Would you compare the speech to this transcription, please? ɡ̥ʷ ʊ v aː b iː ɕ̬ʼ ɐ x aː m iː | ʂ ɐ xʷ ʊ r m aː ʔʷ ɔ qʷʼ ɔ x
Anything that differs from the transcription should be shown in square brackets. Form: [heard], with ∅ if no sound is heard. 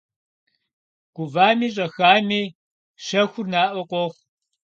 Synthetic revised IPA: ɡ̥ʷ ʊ v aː [m] iː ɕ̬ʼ ɐ x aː m iː | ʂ ɐ xʷ ʊ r [n] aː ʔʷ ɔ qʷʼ ɔ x